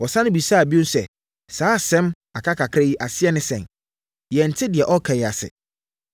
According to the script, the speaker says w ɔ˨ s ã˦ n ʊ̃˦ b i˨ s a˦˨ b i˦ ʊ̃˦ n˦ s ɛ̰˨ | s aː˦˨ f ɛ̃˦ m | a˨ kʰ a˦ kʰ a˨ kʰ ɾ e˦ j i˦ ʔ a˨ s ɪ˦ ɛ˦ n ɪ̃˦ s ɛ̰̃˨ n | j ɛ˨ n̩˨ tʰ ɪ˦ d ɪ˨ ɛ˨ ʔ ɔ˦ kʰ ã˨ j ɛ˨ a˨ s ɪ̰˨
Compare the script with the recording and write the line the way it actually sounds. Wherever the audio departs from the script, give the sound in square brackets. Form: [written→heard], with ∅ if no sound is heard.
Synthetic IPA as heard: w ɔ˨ s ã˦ n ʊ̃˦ b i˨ s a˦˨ b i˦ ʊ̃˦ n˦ s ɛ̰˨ | s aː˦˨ [f→s] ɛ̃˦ m | a˨ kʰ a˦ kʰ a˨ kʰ ɾ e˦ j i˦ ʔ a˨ s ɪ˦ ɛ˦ n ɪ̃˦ s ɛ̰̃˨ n | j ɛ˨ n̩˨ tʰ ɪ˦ d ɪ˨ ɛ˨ ʔ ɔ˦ kʰ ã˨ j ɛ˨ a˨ s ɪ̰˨